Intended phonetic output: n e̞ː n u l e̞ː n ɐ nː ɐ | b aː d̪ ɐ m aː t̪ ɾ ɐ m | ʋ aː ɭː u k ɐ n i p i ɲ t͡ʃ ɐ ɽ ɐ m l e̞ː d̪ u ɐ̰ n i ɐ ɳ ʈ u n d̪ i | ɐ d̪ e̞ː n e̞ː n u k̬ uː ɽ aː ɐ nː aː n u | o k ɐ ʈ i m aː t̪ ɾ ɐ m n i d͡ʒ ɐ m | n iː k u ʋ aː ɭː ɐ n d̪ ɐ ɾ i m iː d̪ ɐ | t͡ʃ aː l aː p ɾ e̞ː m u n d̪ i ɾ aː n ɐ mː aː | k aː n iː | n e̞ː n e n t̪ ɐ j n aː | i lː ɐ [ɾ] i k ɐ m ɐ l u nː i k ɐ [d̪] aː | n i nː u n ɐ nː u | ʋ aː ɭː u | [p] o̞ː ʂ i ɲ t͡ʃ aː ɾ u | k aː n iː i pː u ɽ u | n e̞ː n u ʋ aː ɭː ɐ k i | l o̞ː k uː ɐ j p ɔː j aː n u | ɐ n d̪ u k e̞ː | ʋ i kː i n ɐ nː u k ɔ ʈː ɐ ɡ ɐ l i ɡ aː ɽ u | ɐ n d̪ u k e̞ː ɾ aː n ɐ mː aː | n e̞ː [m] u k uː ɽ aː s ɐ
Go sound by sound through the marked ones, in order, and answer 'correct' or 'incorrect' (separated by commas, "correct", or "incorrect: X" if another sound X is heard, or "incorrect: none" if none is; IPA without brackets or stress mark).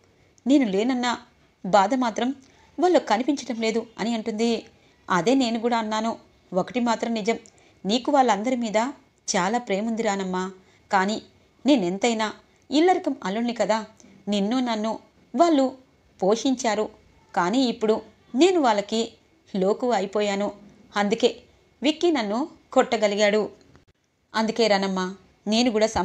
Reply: correct, correct, correct, incorrect: n